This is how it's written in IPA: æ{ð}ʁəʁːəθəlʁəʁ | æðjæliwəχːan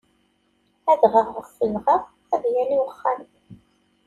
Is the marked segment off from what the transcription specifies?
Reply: no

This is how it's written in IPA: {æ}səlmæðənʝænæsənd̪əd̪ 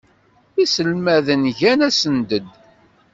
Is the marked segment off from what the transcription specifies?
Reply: yes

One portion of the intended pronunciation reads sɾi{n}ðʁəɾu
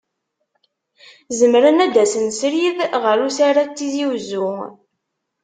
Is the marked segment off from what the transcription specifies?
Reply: yes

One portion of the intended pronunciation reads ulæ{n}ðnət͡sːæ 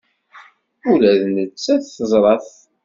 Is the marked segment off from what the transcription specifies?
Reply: yes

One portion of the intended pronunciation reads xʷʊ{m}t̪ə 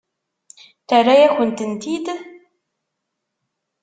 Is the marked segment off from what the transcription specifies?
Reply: yes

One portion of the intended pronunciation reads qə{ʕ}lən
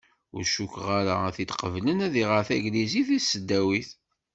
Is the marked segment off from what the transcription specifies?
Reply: yes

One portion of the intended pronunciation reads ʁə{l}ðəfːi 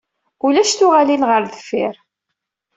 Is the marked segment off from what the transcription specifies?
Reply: yes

